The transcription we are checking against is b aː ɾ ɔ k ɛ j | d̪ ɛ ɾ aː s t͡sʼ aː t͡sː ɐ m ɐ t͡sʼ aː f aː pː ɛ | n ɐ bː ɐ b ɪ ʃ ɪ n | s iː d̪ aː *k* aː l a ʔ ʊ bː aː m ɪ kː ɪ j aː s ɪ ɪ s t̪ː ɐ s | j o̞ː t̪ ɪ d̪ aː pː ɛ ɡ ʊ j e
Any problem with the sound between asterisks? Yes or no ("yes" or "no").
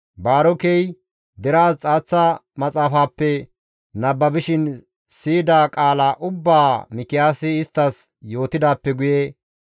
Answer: yes